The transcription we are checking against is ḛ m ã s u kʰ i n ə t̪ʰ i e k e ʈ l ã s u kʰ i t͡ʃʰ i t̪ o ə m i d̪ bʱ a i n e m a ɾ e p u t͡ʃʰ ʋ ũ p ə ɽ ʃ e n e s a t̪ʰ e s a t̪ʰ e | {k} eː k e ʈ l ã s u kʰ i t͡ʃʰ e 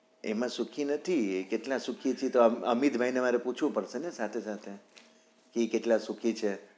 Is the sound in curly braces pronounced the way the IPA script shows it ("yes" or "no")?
yes